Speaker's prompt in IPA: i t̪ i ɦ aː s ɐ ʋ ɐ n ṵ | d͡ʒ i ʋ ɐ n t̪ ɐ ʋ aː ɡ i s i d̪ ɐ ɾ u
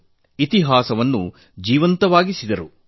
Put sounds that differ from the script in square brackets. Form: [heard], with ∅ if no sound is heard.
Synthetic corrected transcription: i t̪ i ɦ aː s ɐ ʋ ɐ [nː] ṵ | d͡ʒ [iː] ʋ ɐ n t̪ ɐ ʋ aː ɡ i s i d̪ ɐ ɾ u

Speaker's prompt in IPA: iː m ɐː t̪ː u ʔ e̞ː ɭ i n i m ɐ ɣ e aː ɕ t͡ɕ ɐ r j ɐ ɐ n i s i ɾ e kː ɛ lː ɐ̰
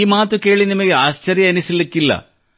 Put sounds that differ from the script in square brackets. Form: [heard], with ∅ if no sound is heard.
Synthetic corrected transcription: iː m [aː] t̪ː u [k] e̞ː ɭ i n i m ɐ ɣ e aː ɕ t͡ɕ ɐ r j ɐ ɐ n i s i [l] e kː [i] lː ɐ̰

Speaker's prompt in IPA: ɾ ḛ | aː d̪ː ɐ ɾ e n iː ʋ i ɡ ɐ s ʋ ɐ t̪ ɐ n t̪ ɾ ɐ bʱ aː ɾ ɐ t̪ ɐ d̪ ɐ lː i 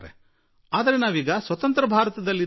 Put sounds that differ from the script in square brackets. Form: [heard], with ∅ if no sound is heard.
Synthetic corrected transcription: ɾ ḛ | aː [d̪] ɐ ɾ e n [aː] ʋ [iː] ɡ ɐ s ʋ ɐ t̪ ɐ n t̪ ɾ ɐ bʱ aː ɾ ɐ t̪ ɐ d̪ ɐ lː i

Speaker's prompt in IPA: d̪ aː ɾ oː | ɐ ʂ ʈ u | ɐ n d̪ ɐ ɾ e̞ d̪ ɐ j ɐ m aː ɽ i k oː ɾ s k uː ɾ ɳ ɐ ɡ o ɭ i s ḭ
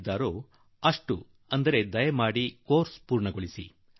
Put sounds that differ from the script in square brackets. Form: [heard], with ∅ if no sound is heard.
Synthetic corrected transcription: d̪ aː ɾ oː | ɐ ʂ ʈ u | ɐ n d̪ ɐ ɾ e̞ d̪ ɐ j ɐ m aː ɽ i k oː ɾ s [p] uː ɾ ɳ ɐ ɡ o ɭ i s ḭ

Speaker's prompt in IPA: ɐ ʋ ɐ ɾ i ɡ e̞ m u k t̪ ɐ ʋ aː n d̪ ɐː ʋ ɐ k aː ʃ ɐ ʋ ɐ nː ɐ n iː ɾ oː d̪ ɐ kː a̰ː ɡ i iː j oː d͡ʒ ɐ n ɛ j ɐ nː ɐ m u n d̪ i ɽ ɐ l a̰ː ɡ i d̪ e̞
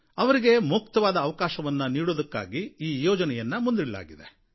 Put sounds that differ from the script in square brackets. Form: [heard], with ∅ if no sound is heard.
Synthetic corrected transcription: ɐ ʋ ɐ ɾ i ɡ e̞ m u k t̪ ɐ ʋ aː [∅] d̪ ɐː ʋ ɐ k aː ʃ ɐ ʋ ɐ nː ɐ n iː [ɽ] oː d̪ ɐ kː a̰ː ɡ i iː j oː d͡ʒ ɐ n ɛ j ɐ nː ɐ m u n d̪ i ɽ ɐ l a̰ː ɡ i d̪ e̞

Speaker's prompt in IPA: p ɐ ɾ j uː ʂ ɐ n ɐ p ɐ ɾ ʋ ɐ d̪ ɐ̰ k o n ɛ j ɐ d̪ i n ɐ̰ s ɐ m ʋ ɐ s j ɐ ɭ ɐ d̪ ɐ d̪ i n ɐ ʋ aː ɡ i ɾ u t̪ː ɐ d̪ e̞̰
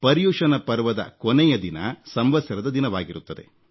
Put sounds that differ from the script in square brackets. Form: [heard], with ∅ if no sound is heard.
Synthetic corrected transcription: p ɐ ɾ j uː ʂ ɐ n ɐ p ɐ ɾ ʋ ɐ d̪ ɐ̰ k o n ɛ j ɐ d̪ i n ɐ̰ s ɐ m ʋ ɐ s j ɐ [ɾ] ɐ d̪ ɐ d̪ i n ɐ ʋ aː ɡ i ɾ u t̪ː ɐ d̪ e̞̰

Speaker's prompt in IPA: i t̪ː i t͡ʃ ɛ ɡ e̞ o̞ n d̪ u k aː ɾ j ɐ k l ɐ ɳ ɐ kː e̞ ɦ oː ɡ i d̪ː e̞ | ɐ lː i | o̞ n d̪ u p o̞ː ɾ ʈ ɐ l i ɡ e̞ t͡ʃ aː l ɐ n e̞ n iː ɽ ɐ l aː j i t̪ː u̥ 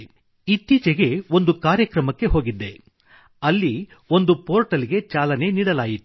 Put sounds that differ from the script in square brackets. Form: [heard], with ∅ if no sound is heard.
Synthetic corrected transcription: i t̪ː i t͡ʃ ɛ ɡ e̞ o̞ n d̪ u k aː ɾ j ɐ k [ɾ] ɐ [m] ɐ kː e̞ ɦ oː ɡ i d̪ː e̞ | ɐ lː i | o̞ n d̪ u p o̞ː ɾ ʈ ɐ l i ɡ e̞ t͡ʃ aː l ɐ n e̞ n iː ɽ ɐ l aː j i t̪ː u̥

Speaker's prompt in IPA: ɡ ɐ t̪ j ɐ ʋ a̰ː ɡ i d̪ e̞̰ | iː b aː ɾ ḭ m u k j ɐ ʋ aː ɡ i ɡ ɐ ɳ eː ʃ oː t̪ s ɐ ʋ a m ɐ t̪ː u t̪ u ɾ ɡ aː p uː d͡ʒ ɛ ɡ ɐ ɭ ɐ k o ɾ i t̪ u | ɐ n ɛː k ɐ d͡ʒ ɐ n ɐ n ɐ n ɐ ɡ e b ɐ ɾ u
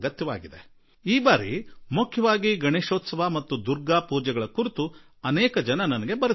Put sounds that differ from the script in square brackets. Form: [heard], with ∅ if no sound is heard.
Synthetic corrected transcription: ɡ ɐ t̪ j ɐ ʋ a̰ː ɡ i d̪ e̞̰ | iː b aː ɾ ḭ m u [kʰ] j ɐ ʋ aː ɡ i ɡ ɐ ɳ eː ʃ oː t̪ s ɐ ʋ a m ɐ t̪ː u [d̪] u ɾ ɡ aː p uː d͡ʒ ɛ ɡ ɐ ɭ ɐ k [u] ɾ i t̪ u | ɐ n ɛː k ɐ d͡ʒ ɐ n ɐ n ɐ n ɐ ɡ e b ɐ ɾ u

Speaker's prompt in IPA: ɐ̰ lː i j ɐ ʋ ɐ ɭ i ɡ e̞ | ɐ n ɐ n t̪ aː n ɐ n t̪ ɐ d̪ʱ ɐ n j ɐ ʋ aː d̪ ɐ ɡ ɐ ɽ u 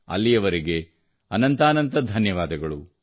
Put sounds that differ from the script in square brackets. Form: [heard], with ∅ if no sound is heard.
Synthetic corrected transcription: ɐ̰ lː i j ɐ ʋ ɐ [ɾ] i ɡ e̞ | ɐ n ɐ n t̪ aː n ɐ n t̪ ɐ d̪ʱ ɐ n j ɐ ʋ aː d̪ ɐ ɡ ɐ [ɭ] u

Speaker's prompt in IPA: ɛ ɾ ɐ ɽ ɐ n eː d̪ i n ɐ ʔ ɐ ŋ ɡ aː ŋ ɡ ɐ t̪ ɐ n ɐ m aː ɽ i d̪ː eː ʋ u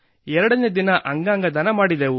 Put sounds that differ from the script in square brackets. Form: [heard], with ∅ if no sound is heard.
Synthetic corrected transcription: ɛ ɾ ɐ ɽ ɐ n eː d̪ i n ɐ ʔ ɐ ŋ ɡ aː ŋ ɡ ɐ [d̪] ɐ n ɐ m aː ɽ i [d̪] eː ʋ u

